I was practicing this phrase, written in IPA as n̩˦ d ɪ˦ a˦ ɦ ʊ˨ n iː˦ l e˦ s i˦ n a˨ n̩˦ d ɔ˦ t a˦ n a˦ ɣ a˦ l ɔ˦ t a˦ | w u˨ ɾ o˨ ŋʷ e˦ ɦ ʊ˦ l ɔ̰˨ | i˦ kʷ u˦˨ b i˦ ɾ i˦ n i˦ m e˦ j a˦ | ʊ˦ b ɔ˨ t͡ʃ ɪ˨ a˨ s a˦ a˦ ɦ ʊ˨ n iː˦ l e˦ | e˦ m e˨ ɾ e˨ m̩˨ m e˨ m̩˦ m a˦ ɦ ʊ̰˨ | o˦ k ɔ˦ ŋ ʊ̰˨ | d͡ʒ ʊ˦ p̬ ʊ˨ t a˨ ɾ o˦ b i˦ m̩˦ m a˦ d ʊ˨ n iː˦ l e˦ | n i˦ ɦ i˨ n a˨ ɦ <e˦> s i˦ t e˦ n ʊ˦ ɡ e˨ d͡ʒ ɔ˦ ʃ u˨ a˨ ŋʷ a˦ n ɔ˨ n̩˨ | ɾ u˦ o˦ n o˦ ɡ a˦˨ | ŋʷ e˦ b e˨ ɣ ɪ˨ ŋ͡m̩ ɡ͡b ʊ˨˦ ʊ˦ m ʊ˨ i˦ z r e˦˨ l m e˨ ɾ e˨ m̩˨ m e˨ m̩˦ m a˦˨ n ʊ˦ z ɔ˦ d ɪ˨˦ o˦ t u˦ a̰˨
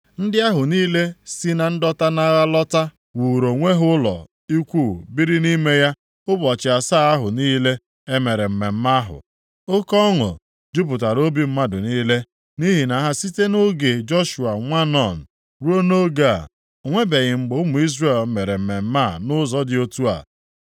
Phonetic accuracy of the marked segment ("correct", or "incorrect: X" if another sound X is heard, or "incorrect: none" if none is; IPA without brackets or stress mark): incorrect: a˦